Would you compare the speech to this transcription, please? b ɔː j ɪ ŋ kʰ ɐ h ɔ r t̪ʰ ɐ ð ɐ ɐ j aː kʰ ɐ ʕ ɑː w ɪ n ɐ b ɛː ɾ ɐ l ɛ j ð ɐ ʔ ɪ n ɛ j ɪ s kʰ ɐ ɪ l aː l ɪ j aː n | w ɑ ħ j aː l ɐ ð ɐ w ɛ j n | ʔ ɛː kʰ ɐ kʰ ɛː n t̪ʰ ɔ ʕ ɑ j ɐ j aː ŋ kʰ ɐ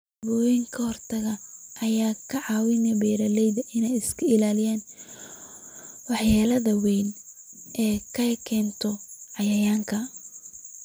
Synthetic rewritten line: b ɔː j ɪ ŋ kʰ ɐ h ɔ r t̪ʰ ɐ ɣ ɐ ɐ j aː kʰ ɐ ʕ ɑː w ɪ n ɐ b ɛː ɾ ɐ l ɛ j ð ɐ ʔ ɪ n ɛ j ɪ s kʰ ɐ ɪ l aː l ɪ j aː n | w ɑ ħ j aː l ɐ ð ɐ w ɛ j n | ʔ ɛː kʰ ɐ kʰ ɛː n t̪ʰ ɔ ʕ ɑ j ɐ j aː ŋ kʰ ɐ